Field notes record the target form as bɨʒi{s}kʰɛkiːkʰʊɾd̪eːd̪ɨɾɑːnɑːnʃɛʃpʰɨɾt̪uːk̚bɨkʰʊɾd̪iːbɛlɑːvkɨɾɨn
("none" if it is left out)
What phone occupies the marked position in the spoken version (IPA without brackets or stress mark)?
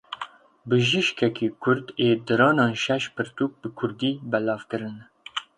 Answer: ʃ